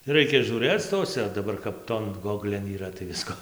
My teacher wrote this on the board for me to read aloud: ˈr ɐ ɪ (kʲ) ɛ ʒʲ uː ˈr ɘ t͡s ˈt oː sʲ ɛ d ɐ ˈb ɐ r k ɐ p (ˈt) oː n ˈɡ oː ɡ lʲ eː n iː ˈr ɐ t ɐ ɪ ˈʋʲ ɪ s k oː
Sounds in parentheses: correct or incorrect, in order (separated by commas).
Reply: correct, correct